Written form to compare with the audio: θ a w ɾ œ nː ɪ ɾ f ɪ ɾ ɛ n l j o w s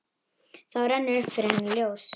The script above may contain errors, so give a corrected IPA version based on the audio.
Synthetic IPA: θ a w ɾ ɛ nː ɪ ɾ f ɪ ɾ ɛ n l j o w s